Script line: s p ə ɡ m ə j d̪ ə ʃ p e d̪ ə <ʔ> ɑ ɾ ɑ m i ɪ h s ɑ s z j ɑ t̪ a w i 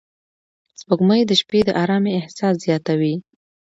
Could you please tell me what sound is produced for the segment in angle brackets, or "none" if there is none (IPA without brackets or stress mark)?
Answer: ʔ